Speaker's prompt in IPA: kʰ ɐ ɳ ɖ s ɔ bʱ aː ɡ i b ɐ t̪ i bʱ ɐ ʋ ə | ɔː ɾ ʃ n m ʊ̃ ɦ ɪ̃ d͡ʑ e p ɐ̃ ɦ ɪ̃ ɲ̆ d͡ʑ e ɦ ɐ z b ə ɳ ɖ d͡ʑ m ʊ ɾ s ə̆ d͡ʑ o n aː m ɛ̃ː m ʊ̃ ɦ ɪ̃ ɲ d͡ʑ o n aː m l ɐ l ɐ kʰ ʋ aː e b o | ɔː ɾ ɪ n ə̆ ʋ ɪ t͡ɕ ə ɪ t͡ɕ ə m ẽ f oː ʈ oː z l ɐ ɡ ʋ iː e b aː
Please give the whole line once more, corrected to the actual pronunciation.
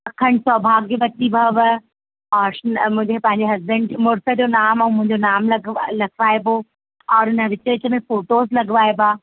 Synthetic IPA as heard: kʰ ɐ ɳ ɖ s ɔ bʱ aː ɡ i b ɐ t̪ i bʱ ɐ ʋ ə | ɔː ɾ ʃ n m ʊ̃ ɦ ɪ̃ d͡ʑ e p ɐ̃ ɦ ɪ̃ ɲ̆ d͡ʑ e ɦ ɐ z b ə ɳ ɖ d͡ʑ m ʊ ɾ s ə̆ d͡ʑ o n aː m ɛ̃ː m ʊ̃ ɦ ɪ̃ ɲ d͡ʑ o n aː m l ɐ l ɐ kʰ ʋ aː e b o | ɔː ɾ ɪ n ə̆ ʋ ɪ t͡ɕ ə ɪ t͡ɕ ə m ẽ f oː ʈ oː z l ɐ ɡ ʋ aː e b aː